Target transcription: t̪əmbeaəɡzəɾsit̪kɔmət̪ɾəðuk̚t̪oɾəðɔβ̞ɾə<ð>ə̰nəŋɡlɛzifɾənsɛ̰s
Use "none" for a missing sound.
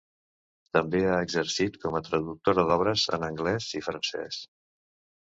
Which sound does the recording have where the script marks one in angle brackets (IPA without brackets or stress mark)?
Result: z